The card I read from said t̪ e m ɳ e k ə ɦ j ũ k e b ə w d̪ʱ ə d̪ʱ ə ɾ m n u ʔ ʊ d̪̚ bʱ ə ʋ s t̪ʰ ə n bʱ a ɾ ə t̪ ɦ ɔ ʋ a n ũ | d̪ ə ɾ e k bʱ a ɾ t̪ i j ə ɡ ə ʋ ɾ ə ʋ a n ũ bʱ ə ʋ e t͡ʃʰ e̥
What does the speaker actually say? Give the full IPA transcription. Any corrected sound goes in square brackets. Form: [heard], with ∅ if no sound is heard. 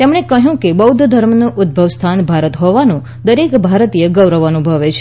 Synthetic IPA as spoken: t̪ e m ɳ e k ə ɦ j ũ k e b ə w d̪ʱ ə d̪ʱ ə ɾ m n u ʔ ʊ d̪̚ bʱ ə ʋ s t̪ʰ [a] n bʱ a ɾ ə t̪ ɦ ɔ ʋ a n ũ | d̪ ə ɾ e k bʱ a ɾ t̪ i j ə ɡ ə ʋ ɾ ə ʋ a n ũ bʱ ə ʋ e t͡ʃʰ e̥

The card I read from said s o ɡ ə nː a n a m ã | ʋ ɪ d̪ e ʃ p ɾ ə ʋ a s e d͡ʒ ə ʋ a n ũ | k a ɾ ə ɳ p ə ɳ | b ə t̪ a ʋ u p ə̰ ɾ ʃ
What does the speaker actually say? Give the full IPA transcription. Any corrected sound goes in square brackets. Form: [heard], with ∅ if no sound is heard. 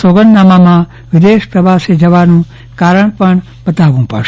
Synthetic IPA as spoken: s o ɡ ə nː a [m] a m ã | ʋ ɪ d̪ e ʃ p ɾ ə ʋ a s e d͡ʒ ə ʋ a n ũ | k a ɾ ə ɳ p ə ɳ | b ə t̪ a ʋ [ũ] p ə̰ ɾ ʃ

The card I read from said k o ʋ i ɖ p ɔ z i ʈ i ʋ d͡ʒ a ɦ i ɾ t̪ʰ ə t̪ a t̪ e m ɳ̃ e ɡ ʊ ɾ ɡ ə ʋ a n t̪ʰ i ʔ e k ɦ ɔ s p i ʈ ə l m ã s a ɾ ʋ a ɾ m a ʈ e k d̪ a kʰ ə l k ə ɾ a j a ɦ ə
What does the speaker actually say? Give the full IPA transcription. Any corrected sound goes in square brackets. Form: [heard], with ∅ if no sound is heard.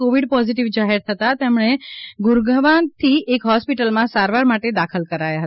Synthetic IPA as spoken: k o ʋ i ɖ p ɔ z i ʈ i ʋ d͡ʒ a ɦ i ɾ t̪ʰ ə t̪ a t̪ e m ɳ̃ e ɡ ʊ ɾ ɡ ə ʋ a n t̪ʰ i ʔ e k ɦ ɔ s p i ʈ ə l m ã s a ɾ ʋ a ɾ m a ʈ e [∅] d̪ a kʰ ə l k ə ɾ a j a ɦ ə

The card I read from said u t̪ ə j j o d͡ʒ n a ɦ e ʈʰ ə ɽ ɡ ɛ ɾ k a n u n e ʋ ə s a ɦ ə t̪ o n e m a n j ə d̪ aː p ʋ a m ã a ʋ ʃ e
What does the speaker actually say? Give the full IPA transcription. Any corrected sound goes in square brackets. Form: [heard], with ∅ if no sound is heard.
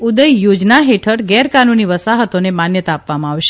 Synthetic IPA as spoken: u [d̪] ə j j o d͡ʒ n a ɦ e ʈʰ ə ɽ ɡ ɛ ɾ k a n u n [i] ʋ ə s a ɦ ə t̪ o n e m a n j ə [t̪] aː p ʋ a m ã a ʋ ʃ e

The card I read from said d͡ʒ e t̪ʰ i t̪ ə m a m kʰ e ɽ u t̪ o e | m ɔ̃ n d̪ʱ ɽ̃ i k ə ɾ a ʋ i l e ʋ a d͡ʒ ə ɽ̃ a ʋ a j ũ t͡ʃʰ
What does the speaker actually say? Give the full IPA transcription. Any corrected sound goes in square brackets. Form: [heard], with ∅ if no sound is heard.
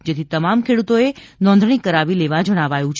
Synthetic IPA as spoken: d͡ʒ e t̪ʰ i t̪ ə m a m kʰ e ɽ u t̪ o e | [n] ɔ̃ n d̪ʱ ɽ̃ i k ə ɾ a ʋ i l e ʋ a d͡ʒ ə ɽ̃ a ʋ a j ũ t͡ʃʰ

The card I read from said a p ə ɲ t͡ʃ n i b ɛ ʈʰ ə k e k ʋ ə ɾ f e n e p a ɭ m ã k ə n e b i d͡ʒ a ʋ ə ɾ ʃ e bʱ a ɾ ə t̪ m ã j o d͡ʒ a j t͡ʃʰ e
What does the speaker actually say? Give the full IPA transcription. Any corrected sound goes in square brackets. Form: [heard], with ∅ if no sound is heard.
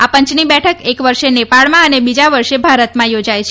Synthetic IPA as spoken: a p ə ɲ t͡ʃ n i b ɛ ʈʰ ə k e k ʋ ə ɾ [ʃ] e n e p a ɭ m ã [∅] ə n e b i d͡ʒ a ʋ ə ɾ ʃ e bʱ a ɾ ə t̪ m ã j o d͡ʒ a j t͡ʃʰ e

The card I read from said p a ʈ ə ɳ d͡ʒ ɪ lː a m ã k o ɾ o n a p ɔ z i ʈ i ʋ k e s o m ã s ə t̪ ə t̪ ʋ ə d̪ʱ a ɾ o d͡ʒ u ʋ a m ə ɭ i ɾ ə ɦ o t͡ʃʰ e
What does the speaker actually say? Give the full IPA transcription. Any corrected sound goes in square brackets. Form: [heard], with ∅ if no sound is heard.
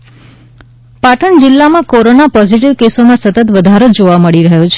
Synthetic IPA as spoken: p a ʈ ə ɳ d͡ʒ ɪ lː a m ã k o ɾ o n a p ɔ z i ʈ i ʋ k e s o m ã s ə t̪ ə t̪ ʋ ə d̪ʱ a ɾ o d͡ʒ [o] ʋ a m ə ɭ i ɾ ə ɦ o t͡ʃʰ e

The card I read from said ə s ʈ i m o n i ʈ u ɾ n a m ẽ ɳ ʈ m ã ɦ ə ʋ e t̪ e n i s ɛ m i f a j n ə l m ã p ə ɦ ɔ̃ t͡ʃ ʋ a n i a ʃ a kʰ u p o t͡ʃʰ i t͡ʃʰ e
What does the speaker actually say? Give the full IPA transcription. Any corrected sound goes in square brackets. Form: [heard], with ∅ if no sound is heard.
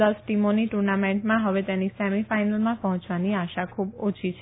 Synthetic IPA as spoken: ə s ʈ i m o n i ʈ u ɾ n a m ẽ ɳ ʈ m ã ɦ ə ʋ e t̪ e n i s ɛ m i f a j n ə l m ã p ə ɦ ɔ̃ t͡ʃ ʋ a n i a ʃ a kʰ u [b] o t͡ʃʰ i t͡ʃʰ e

